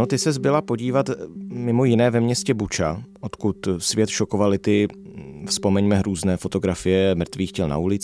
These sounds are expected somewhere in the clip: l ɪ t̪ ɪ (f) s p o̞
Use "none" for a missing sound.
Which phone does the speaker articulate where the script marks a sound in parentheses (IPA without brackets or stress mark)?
f